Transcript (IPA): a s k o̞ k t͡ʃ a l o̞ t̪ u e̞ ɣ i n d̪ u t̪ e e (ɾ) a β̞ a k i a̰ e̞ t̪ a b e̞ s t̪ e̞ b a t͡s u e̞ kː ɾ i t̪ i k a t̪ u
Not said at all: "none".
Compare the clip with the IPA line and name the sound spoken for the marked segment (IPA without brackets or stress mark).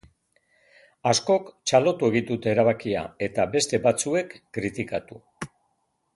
ɾ